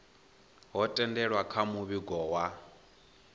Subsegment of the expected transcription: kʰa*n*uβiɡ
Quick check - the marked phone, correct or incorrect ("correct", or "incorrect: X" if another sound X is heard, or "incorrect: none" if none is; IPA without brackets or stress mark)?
incorrect: m